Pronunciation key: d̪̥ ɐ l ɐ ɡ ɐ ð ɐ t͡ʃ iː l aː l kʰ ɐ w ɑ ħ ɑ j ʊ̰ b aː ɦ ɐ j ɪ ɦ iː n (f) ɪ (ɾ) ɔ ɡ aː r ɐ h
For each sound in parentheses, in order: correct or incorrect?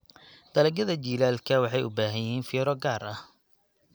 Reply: correct, correct

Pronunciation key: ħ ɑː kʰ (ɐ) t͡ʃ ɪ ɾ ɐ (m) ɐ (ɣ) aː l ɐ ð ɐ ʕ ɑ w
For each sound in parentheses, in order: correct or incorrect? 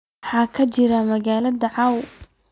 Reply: correct, correct, correct

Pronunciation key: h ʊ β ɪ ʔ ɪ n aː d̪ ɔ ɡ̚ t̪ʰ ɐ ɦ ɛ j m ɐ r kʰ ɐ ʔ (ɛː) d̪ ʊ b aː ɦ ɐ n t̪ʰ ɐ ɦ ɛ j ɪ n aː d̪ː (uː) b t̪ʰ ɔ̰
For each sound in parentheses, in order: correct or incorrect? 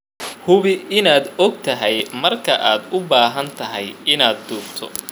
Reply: incorrect, correct

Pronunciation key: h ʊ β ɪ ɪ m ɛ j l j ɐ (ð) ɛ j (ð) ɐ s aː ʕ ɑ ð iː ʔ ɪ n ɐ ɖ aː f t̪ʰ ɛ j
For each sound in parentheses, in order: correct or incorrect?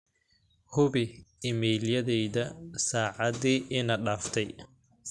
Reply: correct, correct

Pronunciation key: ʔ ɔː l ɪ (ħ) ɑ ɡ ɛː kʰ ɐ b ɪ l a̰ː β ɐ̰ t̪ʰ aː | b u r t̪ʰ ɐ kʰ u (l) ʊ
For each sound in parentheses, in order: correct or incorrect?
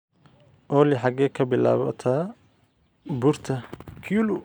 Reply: correct, correct

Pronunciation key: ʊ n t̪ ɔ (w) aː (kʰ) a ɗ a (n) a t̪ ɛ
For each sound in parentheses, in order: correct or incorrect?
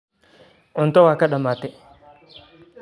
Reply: correct, incorrect, incorrect

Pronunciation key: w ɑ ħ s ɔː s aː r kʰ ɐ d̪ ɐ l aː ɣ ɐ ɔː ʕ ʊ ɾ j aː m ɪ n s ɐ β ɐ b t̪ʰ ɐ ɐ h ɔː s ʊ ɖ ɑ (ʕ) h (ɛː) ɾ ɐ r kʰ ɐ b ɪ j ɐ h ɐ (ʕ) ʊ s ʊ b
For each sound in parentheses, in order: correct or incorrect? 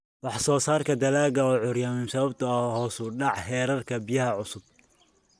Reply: correct, correct, correct

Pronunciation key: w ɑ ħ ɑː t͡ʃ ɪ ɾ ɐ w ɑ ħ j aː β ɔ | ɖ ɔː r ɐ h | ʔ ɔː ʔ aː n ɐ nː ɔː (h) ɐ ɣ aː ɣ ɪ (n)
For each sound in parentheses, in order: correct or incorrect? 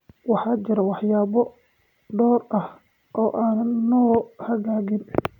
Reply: correct, correct

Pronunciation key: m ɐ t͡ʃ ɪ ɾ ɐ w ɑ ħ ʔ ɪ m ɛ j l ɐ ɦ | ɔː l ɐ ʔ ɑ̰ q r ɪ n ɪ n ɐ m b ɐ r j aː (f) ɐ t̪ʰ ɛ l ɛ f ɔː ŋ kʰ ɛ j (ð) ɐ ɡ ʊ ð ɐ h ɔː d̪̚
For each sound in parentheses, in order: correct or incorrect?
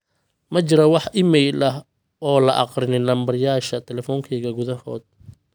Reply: incorrect, incorrect

